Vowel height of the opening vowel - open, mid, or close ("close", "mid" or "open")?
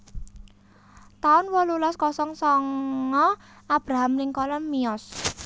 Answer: open